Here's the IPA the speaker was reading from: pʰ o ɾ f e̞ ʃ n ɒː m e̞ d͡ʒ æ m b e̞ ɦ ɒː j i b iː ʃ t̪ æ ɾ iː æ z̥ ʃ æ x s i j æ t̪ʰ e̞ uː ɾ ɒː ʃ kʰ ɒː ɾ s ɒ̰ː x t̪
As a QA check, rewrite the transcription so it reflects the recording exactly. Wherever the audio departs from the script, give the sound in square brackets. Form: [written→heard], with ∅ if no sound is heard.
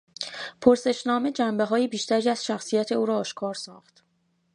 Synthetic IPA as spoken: pʰ o ɾ [f→s] e̞ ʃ n ɒː m e̞ d͡ʒ æ m b e̞ ɦ ɒː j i b iː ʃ t̪ æ ɾ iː æ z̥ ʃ æ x s i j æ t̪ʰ e̞ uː ɾ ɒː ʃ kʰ ɒː ɾ s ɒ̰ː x t̪